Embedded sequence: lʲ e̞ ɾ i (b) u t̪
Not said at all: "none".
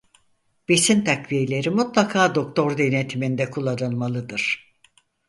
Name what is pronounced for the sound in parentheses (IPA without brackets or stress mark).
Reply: m